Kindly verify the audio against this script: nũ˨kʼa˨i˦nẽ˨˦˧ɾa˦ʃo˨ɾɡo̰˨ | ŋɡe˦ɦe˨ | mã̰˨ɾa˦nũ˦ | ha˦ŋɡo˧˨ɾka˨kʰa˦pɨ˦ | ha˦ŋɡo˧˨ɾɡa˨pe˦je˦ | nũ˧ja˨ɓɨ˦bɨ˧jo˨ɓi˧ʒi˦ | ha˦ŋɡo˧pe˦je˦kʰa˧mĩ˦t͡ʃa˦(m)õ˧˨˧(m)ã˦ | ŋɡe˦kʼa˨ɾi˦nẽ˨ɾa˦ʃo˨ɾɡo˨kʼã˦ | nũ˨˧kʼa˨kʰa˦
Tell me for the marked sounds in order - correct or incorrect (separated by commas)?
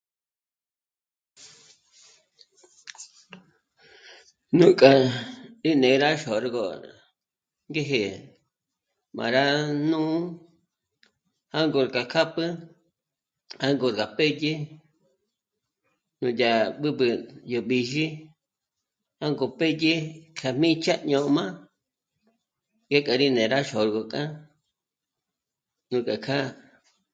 incorrect, correct